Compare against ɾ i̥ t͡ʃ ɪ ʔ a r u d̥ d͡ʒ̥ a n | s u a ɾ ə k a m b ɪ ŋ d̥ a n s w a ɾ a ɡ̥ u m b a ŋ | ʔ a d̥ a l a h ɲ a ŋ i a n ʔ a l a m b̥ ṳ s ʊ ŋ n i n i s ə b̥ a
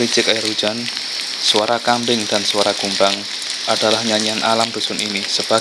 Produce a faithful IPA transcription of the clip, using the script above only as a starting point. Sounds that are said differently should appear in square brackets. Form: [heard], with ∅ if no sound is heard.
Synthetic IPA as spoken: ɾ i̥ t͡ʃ ɪ [k] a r u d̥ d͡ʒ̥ a n | s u a ɾ [a] k a m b ɪ ŋ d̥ a n s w a ɾ a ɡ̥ u m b a ŋ | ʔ a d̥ a l a h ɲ a [ɲ] i a n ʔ a l a m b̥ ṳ s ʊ [∅] n i n i s ə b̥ a

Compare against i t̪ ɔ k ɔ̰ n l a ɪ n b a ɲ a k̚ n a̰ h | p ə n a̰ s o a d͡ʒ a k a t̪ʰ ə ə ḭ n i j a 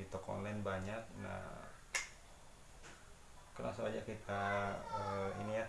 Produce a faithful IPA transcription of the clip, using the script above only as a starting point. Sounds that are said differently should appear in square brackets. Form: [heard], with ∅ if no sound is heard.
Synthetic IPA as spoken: i t̪ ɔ k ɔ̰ n l a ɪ n b a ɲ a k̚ n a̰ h | [k] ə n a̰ s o a d͡ʒ a k [i] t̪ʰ [a] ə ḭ n i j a

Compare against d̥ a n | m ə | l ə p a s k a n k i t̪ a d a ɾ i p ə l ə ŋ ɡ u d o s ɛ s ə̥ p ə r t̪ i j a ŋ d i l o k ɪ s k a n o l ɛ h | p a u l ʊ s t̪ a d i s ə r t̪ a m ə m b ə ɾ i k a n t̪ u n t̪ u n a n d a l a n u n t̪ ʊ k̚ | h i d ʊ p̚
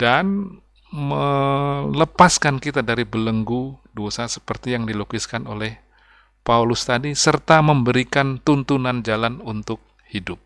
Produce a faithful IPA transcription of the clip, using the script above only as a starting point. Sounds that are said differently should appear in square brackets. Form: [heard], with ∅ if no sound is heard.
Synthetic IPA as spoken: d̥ a n | m ə | l ə p a s k a n k i t̪ a d a ɾ i [b] ə l ə ŋ ɡ u d o s [a] s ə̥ p ə r t̪ i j a ŋ d i l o k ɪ s k a n o l ɛ h | p a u l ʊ s t̪ a d i s ə r t̪ a m ə m b ə ɾ i k a n t̪ u n t̪ u n a n [d͡ʒ] a l a n u n t̪ ʊ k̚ | h i d ʊ p̚

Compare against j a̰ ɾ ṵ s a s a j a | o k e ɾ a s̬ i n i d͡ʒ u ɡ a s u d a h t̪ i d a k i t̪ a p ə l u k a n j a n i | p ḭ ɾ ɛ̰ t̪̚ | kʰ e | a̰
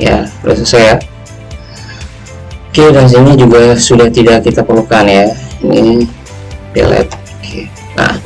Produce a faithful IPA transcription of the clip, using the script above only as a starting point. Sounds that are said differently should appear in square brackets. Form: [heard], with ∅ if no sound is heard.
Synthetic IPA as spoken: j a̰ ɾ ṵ s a s a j a | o k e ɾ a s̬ i n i d͡ʒ u ɡ a s u d a h t̪ i d a k i t̪ a p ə l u k a n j a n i | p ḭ [l] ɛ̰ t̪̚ | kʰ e | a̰

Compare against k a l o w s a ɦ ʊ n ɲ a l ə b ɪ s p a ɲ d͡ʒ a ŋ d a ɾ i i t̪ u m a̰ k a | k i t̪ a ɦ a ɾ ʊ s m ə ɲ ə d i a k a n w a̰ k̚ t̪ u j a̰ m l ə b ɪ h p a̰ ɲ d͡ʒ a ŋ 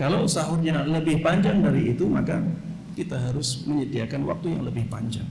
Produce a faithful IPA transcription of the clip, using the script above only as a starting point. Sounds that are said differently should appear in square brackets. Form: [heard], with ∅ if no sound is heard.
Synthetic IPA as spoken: k a l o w s a ɦ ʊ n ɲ a l ə b ɪ [h] p a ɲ d͡ʒ a ŋ d a ɾ i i t̪ u m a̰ k a | k i t̪ a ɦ a ɾ ʊ s m ə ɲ ə d i a k a n w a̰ k̚ t̪ u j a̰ [ŋ] l ə b ɪ h p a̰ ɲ d͡ʒ a ŋ

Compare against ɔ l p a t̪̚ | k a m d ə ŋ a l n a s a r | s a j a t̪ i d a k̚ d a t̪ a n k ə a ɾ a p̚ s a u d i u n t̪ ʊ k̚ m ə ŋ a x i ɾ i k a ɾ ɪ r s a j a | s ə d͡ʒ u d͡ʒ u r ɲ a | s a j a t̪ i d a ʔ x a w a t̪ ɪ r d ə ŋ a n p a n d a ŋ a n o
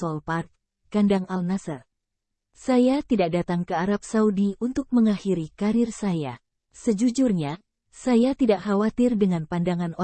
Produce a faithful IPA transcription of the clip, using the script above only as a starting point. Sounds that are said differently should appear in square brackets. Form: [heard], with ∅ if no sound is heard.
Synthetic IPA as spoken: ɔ l p a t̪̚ | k a [n] d [a] ŋ a l n a s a r | s a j a t̪ i d a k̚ d a t̪ a [ŋ] k ə a ɾ a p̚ s a u d i u n t̪ ʊ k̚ m ə ŋ a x i ɾ i k a ɾ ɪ r s a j a | s ə d͡ʒ u d͡ʒ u r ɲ a | s a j a t̪ i d a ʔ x a w a t̪ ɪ r d ə ŋ a n p a n d a ŋ a n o

